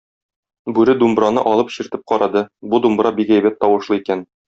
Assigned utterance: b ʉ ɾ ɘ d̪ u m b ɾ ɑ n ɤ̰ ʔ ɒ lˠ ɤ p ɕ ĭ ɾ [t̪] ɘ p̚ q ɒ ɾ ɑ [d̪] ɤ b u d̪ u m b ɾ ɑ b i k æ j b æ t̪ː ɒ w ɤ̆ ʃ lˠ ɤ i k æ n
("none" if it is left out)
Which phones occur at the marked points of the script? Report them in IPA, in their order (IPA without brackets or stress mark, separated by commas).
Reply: t̪, d̪